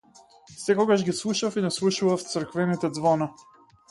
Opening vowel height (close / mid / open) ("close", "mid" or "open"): mid